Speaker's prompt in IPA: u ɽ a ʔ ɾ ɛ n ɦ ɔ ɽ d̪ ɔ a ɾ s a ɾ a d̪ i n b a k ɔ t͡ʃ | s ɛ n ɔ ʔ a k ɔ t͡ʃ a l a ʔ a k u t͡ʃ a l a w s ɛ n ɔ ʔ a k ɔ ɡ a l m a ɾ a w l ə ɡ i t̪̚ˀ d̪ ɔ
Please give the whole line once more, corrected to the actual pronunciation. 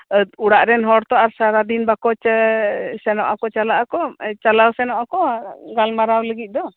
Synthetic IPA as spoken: u ɽ a ʔ ɾ ɛ n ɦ ɔ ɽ t̪ ɔ a ɾ s a ɾ a d̪ i n b a k ɔ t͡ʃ | s ɛ n ɔ ʔ a k ɔ t͡ʃ a l a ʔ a k ɔ t͡ʃ a l a w s ɛ n ɔ ʔ a k ɔ ɡ a l m a ɾ a w l ə ɡ i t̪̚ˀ d̪ ɔ